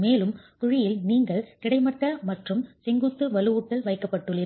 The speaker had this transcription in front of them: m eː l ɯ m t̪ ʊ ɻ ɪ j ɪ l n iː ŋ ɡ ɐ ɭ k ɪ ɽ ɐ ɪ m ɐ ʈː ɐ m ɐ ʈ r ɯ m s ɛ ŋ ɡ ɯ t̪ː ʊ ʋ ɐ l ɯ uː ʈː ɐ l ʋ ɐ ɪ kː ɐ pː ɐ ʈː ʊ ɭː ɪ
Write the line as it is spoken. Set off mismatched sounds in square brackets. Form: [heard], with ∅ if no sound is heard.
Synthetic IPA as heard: m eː l ɯ m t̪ ʊ ɻ ɪ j ɪ l n iː ŋ ɡ ɐ ɭ k ɪ ɽ ɐ ɪ m ɐ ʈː ɐ m ɐ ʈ r ɯ m s ɛ ŋ ɡ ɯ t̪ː [ɯ] ʋ ɐ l ɯ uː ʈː ɐ l ʋ ɐ ɪ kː ɐ pː ɐ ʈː [ɯ] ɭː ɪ

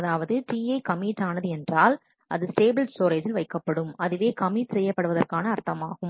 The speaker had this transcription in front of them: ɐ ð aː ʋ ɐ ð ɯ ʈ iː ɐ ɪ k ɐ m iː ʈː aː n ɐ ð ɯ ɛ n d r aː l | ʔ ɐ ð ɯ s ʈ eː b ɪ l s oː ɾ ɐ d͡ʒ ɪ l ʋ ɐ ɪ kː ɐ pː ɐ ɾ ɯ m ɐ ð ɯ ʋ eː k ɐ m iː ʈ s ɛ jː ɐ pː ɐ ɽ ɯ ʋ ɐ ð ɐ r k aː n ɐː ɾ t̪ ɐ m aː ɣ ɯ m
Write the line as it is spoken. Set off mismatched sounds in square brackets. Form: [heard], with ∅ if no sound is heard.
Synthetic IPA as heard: ɐ ð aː ʋ ɐ ð ɯ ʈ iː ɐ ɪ k ɐ m iː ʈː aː n ɐ ð ɯ ɛ n d r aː l | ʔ ɐ ð ɯ s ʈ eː b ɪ l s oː ɾ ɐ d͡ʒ ɪ l ʋ ɐ ɪ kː ɐ pː ɐ [ɽ] ɯ m ɐ ð ɯ ʋ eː k ɐ m iː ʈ s ɛ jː ɐ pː ɐ ɽ ɯ ʋ ɐ ð ɐ r k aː n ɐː ɾ t̪ ɐ m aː ɣ ɯ m

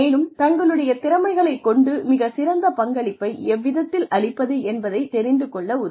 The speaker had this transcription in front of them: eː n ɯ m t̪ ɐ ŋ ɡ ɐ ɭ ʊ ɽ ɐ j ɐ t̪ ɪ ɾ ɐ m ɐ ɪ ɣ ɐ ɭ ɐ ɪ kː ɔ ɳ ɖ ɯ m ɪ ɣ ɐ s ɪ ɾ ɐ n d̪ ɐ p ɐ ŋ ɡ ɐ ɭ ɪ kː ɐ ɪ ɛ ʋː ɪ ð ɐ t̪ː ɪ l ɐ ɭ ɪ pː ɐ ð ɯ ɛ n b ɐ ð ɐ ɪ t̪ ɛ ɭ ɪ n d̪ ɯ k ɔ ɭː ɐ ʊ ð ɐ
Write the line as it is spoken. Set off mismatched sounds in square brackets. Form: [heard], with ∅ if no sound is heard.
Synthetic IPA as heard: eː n ɯ m t̪ ɐ ŋ ɡ ɐ ɭ [ɯ] ɽ ɐ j ɐ t̪ ɪ ɾ ɐ m ɐ ɪ ɣ ɐ ɭ ɐ ɪ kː ɔ ɳ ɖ ɯ m ɪ ɣ ɐ s ɪ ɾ ɐ n d̪ ɐ p ɐ ŋ ɡ ɐ ɭ ɪ [pː] ɐ ɪ ɛ ʋː ɪ ð ɐ t̪ː ɪ l ɐ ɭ ɪ pː ɐ ð ɯ ɛ n b ɐ ð ɐ ɪ t̪ ɛ [ɾ] ɪ n d̪ ɯ k ɔ ɭː ɐ ʊ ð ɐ

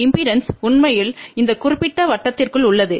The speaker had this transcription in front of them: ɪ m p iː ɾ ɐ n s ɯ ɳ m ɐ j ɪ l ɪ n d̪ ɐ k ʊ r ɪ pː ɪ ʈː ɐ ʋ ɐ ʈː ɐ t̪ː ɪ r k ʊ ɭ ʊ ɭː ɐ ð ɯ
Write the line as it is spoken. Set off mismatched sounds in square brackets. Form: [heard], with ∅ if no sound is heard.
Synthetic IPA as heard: ɪ m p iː ɾ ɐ n s [ʊ] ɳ m ɐ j ɪ l ɪ n d̪ ɐ k ʊ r ɪ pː ɪ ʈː ɐ ʋ ɐ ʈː ɐ t̪ː ɪ r k [ɯ] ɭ ʊ ɭː ɐ ð ɯ

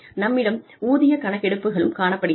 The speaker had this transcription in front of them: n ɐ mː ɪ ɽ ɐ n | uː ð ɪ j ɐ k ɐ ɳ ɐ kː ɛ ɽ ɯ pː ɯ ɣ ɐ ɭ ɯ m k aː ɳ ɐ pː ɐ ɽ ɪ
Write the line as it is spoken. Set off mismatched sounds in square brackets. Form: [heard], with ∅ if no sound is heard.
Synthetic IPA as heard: n ɐ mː ɪ ɽ ɐ [m] | uː ð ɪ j ɐ k ɐ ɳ ɐ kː ɛ ɽ ɯ pː ɯ ɣ ɐ ɭ ɯ m k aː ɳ ɐ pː ɐ ɽ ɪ

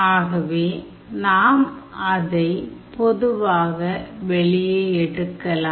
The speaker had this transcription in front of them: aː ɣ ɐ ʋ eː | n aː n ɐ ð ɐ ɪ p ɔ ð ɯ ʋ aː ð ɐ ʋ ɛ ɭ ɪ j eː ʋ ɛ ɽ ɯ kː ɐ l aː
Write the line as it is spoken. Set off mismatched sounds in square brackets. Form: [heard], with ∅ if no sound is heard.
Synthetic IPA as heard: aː ɣ ɐ ʋ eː | n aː [m] ɐ ð ɐ ɪ p ɔ ð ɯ ʋ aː [ɣ] ɐ ʋ ɛ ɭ ɪ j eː [∅] ɛ ɽ ɯ kː ɐ l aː

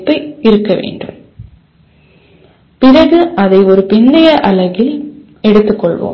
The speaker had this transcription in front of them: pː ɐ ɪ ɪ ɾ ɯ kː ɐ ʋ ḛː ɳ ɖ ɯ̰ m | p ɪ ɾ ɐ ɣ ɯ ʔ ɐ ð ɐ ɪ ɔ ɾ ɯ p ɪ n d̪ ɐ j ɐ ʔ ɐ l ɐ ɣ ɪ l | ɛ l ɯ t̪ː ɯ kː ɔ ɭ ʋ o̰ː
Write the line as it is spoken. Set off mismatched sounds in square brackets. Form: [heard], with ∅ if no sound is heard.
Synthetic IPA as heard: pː ɐ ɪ ɪ ɾ ɯ kː ɐ ʋ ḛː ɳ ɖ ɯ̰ m | p ɪ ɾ ɐ ɣ ɯ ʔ ɐ ð ɐ ɪ ɔ ɾ ɯ p ɪ n d̪ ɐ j ɐ ʔ ɐ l ɐ ɣ ɪ l | ɛ [ɽ] ɯ t̪ː ɯ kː ɔ ɭ ʋ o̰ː

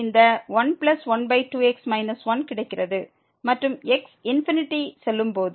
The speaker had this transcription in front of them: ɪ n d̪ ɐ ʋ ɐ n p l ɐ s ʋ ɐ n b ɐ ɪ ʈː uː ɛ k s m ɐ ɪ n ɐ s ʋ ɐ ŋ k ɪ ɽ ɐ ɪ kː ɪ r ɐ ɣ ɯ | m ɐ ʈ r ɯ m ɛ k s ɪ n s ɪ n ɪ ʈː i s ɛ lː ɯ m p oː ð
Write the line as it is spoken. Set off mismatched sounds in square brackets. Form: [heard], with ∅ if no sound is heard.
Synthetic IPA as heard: ɪ n d̪ ɐ ʋ ɐ n p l ɐ s ʋ ɐ n b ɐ ɪ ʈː uː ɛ k s m ɐ ɪ n ɐ s ʋ ɐ [n] k ɪ ɽ ɐ ɪ kː ɪ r ɐ [ð] ɯ | m ɐ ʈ r ɯ m ɛ k s ɪ n [f] ɪ n ɪ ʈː i s ɛ lː ɯ m p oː ð

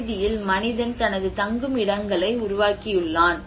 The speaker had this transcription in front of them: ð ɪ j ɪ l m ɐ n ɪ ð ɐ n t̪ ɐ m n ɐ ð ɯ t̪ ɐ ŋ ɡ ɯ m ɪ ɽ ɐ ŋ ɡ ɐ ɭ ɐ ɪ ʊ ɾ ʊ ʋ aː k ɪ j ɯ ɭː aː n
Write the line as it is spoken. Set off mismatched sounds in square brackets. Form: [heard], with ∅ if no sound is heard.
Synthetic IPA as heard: ð ɪ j ɪ l m ɐ n ɪ ð ɐ n t̪ ɐ [∅] n ɐ ð ɯ t̪ ɐ ŋ ɡ ɯ m ɪ ɽ ɐ ŋ ɡ ɐ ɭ ɐ ɪ ʊ ɾ ʊ ʋ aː k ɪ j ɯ ɭː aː n

